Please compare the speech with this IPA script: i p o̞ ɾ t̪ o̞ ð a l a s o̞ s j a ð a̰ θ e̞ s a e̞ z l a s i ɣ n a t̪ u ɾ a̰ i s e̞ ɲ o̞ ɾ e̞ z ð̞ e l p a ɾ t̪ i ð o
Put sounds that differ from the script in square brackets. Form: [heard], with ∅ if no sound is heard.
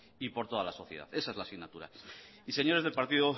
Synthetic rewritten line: i p o̞ ɾ t̪ o̞ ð a l a s o̞ [θ] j [e] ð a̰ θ e̞ s a e̞ z l a s i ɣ n a t̪ u ɾ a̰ i s e̞ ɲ o̞ ɾ e̞ z ð̞ e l p a ɾ t̪ i ð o